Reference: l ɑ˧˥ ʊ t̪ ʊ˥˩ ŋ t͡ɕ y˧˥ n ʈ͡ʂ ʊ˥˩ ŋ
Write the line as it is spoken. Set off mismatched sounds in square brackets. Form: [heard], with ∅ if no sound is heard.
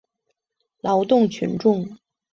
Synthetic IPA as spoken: l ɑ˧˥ ʊ t̪ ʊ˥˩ ŋ [t͡ɕʰ] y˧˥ n ʈ͡ʂ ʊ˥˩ ŋ